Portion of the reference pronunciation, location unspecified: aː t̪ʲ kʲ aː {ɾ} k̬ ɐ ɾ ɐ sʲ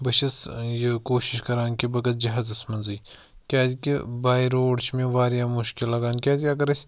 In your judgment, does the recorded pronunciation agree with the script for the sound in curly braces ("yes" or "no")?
no